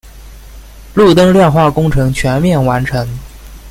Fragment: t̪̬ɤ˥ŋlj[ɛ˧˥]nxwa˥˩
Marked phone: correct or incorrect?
incorrect: ɛ˥˧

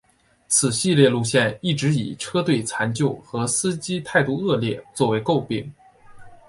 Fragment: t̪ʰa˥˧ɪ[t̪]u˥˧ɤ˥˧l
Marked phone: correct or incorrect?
correct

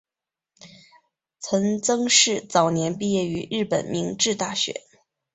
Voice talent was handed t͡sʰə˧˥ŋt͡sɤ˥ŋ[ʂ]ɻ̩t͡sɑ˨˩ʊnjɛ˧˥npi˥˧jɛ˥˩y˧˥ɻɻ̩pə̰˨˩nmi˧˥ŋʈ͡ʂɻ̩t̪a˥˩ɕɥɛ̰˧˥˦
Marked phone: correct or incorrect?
correct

